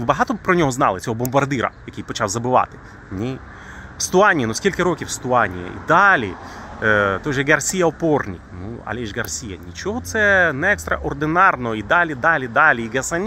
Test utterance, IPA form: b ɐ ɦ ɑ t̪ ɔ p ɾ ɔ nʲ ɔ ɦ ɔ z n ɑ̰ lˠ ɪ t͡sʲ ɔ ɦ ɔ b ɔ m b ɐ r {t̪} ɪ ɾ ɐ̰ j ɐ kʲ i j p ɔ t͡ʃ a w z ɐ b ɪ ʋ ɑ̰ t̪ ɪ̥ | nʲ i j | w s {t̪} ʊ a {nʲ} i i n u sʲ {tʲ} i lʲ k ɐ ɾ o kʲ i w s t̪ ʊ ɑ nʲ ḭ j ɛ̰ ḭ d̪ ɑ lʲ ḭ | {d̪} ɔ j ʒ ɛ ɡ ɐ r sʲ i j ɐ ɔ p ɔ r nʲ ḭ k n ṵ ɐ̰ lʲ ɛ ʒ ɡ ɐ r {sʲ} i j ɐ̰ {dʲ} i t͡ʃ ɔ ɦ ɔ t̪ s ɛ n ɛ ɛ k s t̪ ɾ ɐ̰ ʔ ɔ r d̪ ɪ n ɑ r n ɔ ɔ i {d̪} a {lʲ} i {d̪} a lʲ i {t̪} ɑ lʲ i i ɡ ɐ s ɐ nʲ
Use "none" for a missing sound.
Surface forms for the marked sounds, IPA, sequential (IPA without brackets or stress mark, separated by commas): d̪, t̪, nʲ, kʲ, t̪, sʲ, nʲ, d̪, lʲ, d̪, d̪